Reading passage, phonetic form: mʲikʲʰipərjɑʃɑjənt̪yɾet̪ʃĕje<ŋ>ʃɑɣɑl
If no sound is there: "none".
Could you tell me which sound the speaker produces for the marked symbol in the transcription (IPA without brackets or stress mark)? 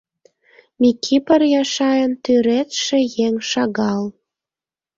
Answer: ŋ